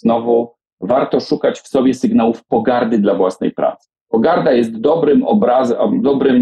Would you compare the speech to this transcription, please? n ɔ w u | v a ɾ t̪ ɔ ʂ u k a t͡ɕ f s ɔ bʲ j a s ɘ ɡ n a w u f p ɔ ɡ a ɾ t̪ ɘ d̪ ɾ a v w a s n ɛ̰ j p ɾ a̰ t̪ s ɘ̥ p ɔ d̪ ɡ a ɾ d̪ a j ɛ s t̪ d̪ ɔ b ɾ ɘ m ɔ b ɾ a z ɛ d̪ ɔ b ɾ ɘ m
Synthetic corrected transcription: n ɔ v u | v a ɾ t̪ ɔ ʂ u k a t͡ɕ f s ɔ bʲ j ɛ s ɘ ɡ n a w u f p ɔ ɡ a ɾ d̪ ɘ d̪ l a v w a s n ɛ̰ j p ɾ a̰ t̪ s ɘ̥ p ɔ ɡ a ɾ d̪ a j ɛ s t̪ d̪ ɔ b ɾ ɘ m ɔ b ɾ a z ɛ d̪ ɔ b ɾ ɘ m